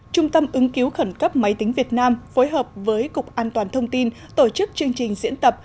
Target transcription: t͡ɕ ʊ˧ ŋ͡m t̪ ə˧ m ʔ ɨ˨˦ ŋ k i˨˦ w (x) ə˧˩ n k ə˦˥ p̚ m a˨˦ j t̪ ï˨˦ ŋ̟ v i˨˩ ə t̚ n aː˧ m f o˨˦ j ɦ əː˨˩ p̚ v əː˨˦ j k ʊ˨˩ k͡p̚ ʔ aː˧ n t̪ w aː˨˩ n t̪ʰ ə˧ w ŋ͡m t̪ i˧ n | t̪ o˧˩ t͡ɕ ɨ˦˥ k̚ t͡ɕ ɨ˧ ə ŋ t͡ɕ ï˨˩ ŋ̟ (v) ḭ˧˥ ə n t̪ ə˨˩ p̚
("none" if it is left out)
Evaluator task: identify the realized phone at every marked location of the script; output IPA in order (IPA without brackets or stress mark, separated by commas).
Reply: x, z